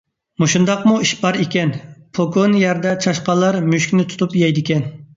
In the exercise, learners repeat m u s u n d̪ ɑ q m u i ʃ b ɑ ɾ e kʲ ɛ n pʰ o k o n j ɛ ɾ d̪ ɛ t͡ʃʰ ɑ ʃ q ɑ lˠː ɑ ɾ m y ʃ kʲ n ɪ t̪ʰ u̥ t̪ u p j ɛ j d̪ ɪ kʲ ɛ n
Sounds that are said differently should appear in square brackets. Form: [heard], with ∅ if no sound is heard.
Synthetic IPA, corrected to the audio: m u [ʃ] u n d̪ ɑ q m u i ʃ b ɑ ɾ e kʲ ɛ n pʰ o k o n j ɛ ɾ d̪ ɛ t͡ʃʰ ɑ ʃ q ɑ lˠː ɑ ɾ m y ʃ kʲ n ɪ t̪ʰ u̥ t̪ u p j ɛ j d̪ ɪ kʲ ɛ n